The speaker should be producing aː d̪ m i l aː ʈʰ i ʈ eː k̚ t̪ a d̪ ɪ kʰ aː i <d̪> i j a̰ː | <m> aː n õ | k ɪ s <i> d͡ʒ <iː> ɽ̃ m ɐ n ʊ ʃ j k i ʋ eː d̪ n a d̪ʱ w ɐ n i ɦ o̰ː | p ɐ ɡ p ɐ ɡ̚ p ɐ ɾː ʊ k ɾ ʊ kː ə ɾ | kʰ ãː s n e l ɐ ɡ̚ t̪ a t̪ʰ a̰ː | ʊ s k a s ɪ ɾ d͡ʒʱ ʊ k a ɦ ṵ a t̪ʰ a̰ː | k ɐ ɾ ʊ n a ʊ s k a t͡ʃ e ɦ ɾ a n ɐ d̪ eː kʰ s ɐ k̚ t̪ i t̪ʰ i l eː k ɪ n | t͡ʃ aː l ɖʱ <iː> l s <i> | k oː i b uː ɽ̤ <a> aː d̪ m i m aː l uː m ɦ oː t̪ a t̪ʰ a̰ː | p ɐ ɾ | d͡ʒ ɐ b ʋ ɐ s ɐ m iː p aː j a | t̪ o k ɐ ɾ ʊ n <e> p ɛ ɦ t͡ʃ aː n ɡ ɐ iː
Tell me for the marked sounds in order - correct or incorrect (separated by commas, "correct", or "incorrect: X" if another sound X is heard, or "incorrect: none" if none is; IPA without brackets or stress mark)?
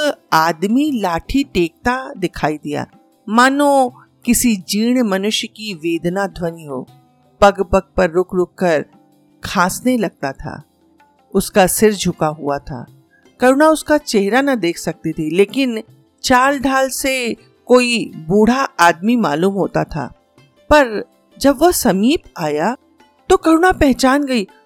correct, correct, correct, correct, incorrect: aː, incorrect: e, correct, incorrect: a